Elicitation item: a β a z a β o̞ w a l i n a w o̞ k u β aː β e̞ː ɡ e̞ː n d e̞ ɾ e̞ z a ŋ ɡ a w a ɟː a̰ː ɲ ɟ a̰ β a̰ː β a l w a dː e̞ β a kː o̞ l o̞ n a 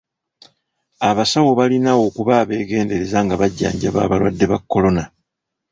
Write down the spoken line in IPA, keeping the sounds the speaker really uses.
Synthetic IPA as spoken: a β a s a w o̞ β a l i n a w o̞ k u β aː β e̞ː ɡ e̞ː n d e̞ ɾ e̞ z a ŋ ɡ a β a ɟː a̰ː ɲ ɟ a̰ β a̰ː β a l w a dː e̞ β a kː o̞ l o̞ n a